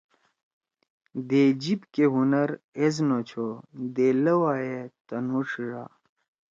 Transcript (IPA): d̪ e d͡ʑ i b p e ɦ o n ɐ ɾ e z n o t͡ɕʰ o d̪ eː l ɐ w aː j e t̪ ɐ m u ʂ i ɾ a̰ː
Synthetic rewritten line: d̪ e d͡ʑ i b k e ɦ u n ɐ ɾ e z n o t͡ɕʰ o d̪ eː l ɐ w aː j e t̪ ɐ n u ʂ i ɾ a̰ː